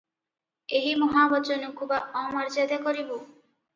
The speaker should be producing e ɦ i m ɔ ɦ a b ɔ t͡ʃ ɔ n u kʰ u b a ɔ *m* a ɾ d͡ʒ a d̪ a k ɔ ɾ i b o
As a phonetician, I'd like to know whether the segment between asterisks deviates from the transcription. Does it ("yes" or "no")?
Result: no